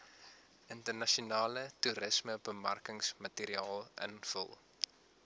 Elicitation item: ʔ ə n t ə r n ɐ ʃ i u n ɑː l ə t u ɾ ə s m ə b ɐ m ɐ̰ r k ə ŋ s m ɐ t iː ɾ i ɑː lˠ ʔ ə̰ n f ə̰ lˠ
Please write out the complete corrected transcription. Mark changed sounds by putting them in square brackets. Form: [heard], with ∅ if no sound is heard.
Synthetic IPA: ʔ ə n t ə r n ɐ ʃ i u n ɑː l ə t u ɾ ə s m ə b [ə] m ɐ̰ r k ə ŋ s m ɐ t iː ɾ i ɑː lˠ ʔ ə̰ n f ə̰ lˠ